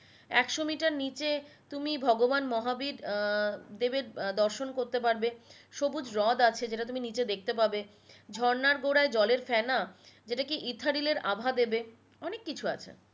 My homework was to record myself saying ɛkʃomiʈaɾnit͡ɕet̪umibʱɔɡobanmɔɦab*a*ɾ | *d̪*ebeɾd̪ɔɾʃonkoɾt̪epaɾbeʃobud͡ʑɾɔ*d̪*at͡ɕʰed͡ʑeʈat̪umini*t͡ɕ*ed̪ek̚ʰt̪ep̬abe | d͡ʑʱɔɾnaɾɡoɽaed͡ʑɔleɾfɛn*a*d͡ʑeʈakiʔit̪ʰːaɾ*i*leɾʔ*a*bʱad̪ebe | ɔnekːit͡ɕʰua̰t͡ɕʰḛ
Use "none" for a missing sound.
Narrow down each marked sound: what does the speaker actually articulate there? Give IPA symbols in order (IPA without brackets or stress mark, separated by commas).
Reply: i, d̪, d̪, t͡ɕ, a, i, a